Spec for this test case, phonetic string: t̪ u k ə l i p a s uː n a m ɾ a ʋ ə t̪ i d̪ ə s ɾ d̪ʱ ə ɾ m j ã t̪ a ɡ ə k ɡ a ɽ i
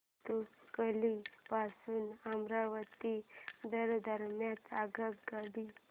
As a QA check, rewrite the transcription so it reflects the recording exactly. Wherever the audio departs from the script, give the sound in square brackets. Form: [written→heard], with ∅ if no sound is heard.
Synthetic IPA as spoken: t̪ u k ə l i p a s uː n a m ɾ a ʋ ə t̪ i d̪ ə [s→∅] ɾ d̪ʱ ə ɾ m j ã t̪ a ɡ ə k ɡ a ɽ i